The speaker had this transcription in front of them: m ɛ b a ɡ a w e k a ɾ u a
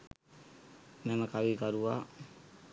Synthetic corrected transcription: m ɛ m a k a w i k a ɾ u a